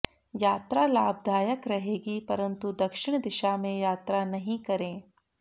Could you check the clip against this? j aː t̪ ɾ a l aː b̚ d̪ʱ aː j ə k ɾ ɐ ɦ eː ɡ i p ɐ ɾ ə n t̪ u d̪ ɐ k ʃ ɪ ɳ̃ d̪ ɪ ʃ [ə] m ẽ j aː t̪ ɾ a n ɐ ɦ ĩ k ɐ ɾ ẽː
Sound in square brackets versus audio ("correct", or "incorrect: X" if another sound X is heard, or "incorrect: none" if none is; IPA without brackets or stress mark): incorrect: a